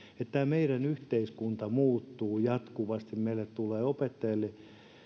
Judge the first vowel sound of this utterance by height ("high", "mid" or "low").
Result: mid